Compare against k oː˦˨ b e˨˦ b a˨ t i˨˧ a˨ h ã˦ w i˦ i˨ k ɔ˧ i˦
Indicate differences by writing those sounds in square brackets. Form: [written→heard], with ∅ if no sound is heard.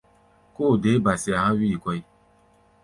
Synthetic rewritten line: k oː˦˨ [b→d] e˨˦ b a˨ [t→s] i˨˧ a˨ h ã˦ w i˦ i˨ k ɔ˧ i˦